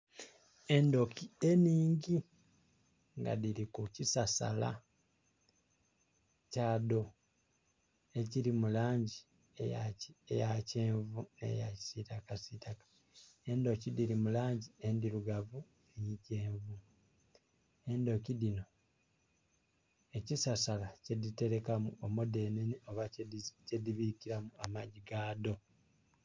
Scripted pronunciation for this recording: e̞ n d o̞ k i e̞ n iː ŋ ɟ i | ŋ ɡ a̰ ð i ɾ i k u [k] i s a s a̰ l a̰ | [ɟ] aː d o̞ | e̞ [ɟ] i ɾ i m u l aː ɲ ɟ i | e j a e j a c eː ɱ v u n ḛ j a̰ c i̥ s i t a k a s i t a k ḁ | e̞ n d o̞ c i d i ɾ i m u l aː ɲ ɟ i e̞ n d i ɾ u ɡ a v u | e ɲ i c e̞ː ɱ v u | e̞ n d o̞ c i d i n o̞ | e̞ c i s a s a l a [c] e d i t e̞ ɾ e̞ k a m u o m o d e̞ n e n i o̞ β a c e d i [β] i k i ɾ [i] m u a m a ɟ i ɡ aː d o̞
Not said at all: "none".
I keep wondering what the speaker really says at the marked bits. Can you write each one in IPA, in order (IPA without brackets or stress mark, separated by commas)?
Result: c, c, c, c, β, a